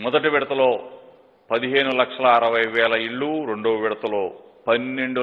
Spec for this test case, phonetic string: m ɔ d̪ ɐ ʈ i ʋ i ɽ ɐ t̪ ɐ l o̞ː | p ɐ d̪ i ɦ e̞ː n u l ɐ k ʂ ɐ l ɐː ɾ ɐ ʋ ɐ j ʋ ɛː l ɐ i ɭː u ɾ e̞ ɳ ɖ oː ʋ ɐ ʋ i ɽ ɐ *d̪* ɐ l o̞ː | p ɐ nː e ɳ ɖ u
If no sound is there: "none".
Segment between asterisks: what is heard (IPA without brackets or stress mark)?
t̪